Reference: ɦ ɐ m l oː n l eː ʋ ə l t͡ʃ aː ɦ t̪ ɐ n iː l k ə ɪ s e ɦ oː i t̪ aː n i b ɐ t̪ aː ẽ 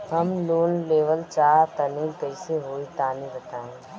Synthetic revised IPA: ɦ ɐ m l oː n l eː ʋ ə l t͡ʃ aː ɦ t̪ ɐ n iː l k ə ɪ s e ɦ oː i t̪ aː n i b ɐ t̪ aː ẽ